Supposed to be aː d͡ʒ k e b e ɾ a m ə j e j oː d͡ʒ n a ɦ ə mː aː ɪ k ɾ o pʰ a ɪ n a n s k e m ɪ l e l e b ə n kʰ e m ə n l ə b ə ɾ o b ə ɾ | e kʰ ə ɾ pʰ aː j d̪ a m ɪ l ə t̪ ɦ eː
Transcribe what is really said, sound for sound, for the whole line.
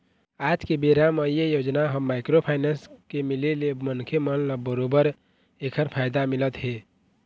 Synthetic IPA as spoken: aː d͡ʒ k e b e ɾ a m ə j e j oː d͡ʒ n a ɦ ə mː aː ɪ k ɾ o pʰ a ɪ n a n s k e m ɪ l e l e m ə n kʰ e m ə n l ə b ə ɾ o b ə ɾ | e kʰ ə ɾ pʰ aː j d̪ a m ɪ l ə t̪ ɦ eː